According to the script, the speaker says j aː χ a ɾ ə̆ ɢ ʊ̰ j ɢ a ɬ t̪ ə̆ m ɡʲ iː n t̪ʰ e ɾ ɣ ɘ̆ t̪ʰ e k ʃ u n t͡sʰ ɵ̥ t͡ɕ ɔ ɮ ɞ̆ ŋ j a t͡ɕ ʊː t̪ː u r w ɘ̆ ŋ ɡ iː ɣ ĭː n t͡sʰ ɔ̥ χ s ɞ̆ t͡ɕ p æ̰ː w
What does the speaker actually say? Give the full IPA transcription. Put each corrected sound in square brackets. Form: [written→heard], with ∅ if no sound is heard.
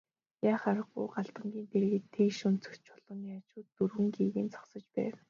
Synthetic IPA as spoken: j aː χ a ɾ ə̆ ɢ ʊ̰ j ɢ a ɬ t̪ ə̆ [m→ŋ] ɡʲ iː n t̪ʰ e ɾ ɣ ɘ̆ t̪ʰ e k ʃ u n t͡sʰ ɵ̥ t͡ɕ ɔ ɮ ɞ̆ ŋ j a t͡ɕ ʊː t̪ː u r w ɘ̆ ŋ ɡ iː ɣ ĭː n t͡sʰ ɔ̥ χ s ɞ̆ t͡ɕ p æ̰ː w